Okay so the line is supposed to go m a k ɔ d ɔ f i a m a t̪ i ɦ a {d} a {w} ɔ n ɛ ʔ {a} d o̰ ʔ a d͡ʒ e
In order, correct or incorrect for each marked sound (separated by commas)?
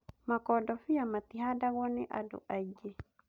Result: correct, incorrect, correct